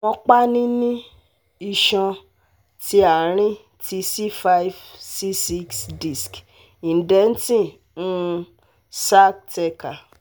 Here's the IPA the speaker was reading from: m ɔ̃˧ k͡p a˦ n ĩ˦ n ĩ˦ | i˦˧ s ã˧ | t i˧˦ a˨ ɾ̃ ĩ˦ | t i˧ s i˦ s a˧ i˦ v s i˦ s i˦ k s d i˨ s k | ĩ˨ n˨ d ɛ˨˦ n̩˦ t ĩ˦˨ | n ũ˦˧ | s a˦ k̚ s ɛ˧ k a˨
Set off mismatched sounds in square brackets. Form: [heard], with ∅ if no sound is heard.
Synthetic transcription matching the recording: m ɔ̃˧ k͡p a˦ n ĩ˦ n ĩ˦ | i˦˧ [ʃ] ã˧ | t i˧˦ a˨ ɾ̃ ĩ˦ | t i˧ s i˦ [f] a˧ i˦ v s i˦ s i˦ k s d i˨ s k | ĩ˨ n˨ d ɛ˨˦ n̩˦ t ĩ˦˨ | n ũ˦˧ | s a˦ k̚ [t] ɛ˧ k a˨